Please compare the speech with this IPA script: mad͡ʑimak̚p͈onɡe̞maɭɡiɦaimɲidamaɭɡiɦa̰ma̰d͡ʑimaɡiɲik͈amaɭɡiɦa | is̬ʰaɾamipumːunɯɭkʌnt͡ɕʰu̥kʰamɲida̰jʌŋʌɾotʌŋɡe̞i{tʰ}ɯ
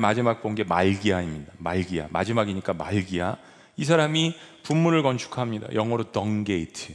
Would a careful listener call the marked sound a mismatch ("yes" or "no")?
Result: no